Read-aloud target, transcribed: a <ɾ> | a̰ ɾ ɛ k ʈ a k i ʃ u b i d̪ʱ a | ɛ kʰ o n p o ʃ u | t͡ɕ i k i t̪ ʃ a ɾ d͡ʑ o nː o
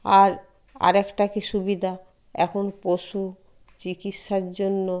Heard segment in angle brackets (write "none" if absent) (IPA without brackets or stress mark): ɾ